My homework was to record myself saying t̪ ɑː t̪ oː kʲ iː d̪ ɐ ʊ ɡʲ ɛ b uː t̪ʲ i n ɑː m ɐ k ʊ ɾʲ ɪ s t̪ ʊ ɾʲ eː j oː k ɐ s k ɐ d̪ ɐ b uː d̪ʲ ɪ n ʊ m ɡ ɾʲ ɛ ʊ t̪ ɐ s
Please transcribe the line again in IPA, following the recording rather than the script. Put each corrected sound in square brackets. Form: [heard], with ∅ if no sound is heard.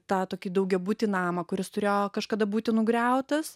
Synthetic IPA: t̪ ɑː t̪ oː kʲ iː d̪ ɐ ʊ ɡʲ ɛ b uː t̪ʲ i n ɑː m ɐ k ʊ ɾʲ ɪ s t̪ ʊ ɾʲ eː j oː k ɐ [ʃ] k ɐ d̪ ɐ b uː [t̪ʲ] ɪ n ʊ [∅] ɡ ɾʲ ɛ ʊ t̪ ɐ s

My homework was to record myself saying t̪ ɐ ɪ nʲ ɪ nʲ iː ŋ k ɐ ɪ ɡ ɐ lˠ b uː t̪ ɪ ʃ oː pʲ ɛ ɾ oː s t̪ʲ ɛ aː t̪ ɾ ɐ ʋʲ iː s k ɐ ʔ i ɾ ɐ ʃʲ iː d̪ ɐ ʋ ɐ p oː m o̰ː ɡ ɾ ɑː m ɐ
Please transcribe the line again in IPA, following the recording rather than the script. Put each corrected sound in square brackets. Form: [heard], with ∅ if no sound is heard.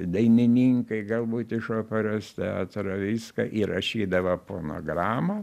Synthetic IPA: [d̪] ɐ ɪ nʲ ɪ nʲ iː ŋ k ɐ ɪ ɡ ɐ lˠ b uː t̪ ɪ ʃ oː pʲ ɛ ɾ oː s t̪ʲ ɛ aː t̪ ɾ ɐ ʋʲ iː s k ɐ ʔ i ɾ ɐ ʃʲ iː d̪ ɐ ʋ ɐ p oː [n] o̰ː ɡ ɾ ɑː m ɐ

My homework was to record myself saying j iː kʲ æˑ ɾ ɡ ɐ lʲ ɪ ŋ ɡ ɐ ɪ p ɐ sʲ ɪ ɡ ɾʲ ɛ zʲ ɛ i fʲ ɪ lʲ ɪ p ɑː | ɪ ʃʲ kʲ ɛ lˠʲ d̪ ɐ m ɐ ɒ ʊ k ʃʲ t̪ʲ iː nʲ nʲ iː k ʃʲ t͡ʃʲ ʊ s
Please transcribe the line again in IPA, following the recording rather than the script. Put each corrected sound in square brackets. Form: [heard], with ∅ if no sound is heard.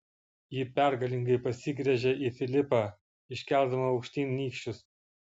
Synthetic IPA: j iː [pʲ] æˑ ɾ ɡ ɐ lʲ ɪ ŋ ɡ ɐ ɪ p ɐ sʲ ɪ ɡ ɾʲ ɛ [ʒʲ] ɛ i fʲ ɪ lʲ ɪ p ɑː | ɪ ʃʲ kʲ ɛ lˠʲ d̪ ɐ m ɐ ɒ ʊ k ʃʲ t̪ʲ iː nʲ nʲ iː k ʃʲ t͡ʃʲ ʊ s

